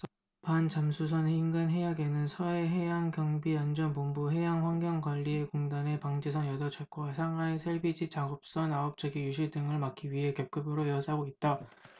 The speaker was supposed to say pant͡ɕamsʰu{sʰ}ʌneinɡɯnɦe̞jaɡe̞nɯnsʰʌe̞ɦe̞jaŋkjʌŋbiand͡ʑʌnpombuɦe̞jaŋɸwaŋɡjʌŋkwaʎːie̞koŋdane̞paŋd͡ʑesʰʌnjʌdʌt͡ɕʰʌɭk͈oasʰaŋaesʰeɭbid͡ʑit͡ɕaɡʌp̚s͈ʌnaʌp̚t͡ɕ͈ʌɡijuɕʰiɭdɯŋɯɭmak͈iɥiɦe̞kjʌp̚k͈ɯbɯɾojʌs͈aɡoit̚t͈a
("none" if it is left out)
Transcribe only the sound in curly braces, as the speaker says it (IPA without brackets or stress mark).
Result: sʰ